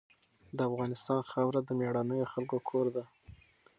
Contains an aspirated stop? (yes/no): yes